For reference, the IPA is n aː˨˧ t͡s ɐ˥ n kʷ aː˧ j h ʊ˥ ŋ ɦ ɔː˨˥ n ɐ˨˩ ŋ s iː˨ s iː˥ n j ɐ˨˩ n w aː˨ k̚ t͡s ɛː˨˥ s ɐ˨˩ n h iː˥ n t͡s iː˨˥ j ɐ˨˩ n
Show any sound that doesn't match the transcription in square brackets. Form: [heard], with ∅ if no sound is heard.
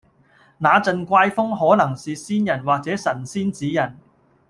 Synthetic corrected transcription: n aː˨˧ t͡s [ɐ˧] n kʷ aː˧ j [f] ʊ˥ ŋ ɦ ɔː˨˥ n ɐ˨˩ ŋ s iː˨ s iː˥ n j ɐ˨˩ n w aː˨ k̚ t͡s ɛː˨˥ s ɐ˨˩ n [s] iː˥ n t͡s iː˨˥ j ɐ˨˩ n